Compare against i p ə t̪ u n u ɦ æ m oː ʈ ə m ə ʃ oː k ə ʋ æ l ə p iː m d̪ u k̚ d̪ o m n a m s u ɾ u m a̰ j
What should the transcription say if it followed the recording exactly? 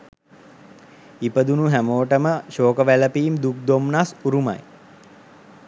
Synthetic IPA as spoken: i p ə d̪ u n u ɦ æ m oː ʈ ə m ə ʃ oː k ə ʋ æ l ə p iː m d̪ u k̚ d̪ o m n a s u ɾ u m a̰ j